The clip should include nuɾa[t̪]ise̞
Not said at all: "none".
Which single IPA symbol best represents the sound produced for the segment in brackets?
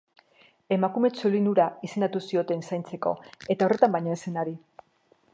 none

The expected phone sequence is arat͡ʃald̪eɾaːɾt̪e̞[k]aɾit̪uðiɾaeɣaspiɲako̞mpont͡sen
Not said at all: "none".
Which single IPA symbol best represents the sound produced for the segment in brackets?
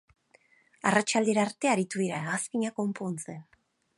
none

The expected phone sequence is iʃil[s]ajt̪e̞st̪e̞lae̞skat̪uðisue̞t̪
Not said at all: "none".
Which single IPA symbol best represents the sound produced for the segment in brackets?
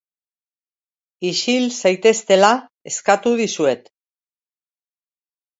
s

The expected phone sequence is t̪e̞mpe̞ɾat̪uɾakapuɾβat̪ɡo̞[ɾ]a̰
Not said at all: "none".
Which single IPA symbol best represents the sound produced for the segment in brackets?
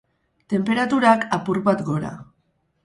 ɾ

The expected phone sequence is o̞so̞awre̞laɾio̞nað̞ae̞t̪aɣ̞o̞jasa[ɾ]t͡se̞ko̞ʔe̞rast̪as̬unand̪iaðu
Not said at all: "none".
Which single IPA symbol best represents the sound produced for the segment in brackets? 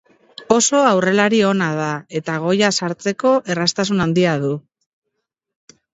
ɾ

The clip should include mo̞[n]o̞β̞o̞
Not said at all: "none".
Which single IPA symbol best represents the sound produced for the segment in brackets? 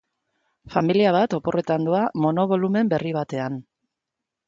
n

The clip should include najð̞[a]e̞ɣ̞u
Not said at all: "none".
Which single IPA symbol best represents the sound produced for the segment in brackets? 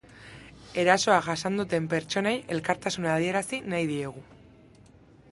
i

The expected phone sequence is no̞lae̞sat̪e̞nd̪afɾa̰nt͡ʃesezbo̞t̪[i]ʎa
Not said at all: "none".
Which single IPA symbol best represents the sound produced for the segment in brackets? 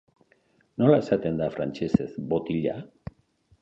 i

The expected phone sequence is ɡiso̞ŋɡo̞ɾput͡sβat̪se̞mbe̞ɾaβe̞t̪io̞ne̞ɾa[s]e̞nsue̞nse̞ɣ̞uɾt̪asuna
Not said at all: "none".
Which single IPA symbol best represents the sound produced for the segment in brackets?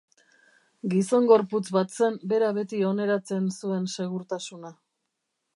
t͡s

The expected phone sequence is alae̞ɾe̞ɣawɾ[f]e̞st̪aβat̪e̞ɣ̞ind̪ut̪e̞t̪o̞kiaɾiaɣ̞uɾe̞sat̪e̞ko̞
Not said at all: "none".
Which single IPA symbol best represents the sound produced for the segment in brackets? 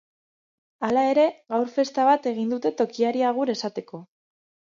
f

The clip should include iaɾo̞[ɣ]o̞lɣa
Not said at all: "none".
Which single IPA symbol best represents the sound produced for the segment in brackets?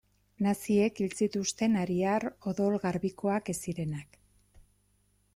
ð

